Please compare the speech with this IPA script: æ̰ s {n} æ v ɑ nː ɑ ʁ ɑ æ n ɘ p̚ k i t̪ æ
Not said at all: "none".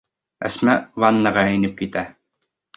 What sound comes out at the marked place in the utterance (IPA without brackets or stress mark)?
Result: m